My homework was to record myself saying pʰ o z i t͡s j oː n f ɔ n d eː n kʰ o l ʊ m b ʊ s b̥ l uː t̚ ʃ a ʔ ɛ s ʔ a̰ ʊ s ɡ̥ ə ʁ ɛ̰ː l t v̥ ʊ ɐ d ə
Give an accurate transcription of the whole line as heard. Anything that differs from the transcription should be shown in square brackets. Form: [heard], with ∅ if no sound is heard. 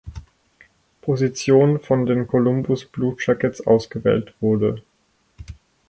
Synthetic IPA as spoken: pʰ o z i t͡s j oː n f ɔ n d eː n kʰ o l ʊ m b ʊ s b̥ l uː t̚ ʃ a [k] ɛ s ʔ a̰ ʊ s ɡ̥ ə [v] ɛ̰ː l t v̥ ʊ ɐ d ə